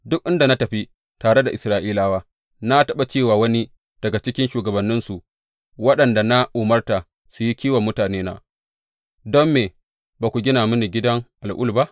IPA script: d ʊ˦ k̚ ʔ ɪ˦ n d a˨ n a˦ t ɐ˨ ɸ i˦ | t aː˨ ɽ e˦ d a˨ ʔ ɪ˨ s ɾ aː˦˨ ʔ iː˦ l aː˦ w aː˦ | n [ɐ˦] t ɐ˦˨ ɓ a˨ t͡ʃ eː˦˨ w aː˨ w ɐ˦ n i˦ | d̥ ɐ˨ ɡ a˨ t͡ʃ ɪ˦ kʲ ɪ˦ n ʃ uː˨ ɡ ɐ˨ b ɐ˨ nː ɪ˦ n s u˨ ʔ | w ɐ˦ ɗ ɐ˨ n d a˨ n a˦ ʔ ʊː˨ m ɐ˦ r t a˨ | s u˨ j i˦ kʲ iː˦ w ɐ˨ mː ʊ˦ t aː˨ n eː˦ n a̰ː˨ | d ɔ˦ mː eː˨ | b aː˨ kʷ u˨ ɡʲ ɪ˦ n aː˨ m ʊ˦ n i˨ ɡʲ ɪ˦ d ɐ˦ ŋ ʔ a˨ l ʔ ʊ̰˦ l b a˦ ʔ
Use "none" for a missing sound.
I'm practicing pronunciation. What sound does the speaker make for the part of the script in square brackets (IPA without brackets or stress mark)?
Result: a˦